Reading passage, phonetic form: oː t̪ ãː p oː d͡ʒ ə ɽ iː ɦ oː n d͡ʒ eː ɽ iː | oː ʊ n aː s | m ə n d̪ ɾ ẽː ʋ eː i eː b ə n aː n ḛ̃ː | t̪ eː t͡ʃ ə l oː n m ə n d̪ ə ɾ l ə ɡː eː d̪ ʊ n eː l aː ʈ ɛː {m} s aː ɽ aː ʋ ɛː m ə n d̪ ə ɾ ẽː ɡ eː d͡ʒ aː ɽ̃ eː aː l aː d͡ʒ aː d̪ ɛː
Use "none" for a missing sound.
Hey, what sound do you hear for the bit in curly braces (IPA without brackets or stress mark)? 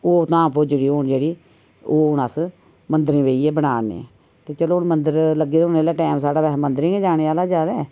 m